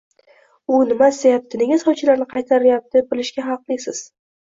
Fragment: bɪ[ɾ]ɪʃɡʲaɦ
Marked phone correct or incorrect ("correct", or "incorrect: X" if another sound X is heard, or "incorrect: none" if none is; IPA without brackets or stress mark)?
incorrect: l